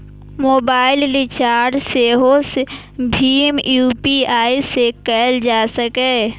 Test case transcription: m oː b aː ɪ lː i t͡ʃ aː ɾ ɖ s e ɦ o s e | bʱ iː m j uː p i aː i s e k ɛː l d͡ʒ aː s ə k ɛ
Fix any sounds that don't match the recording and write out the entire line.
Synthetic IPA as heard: m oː b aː ɪ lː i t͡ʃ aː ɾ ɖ s e ɦ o s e | bʱ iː m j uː p i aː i s e k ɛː l d͡ʒ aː s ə k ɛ